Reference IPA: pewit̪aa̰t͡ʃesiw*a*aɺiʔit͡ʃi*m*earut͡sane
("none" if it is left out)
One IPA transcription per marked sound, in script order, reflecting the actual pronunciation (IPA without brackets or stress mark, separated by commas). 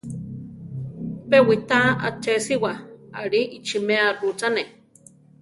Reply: a, m